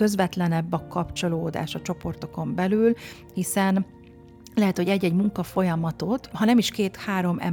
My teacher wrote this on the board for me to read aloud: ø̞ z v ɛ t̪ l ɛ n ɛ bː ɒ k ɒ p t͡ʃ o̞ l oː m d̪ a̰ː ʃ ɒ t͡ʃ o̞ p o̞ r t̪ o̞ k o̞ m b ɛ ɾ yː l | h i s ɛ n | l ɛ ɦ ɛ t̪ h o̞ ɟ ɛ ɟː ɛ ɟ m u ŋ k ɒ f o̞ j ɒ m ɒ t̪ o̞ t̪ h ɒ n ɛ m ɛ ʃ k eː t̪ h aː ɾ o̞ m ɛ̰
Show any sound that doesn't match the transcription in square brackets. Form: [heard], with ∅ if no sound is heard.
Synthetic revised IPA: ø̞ z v ɛ t̪ l ɛ n ɛ bː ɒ k ɒ p t͡ʃ o̞ l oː [∅] d̪ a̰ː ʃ ɒ t͡ʃ o̞ p o̞ r t̪ o̞ k o̞ m b ɛ [l] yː l | h i s ɛ n | l ɛ ɦ ɛ t̪ h o̞ ɟ ɛ ɟː ɛ ɟ m u ŋ k ɒ f o̞ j ɒ m ɒ t̪ o̞ t̪ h ɒ n ɛ m [i] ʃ k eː t̪ h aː ɾ o̞ m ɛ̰